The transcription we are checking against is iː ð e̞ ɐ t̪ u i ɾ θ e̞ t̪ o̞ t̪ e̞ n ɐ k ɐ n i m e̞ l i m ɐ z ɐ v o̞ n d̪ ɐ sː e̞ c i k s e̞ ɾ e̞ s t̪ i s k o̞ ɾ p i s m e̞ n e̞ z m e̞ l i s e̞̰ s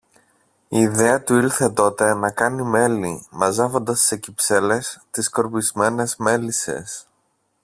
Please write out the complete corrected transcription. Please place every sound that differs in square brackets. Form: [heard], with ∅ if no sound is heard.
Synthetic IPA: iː ð e̞ ɐ t̪ u i ɾ θ e̞ t̪ o̞ t̪ e̞ n ɐ k ɐ n i m e̞ l i m ɐ z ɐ v o̞ n d̪ ɐ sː e̞ c i [p] s e̞ [l] e̞ s t̪ i s k o̞ ɾ p i [z] m e̞ n e̞ z m e̞ l i s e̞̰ s